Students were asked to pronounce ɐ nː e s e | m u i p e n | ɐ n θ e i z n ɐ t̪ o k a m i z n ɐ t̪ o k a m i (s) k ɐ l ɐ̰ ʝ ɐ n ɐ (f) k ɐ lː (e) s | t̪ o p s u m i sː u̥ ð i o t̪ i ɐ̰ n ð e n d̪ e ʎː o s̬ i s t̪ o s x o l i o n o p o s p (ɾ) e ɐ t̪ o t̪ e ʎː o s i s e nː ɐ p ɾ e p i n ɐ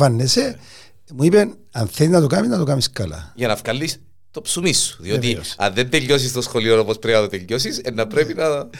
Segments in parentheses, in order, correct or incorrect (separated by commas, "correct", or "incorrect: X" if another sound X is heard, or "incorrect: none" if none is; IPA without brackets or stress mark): correct, correct, incorrect: i, correct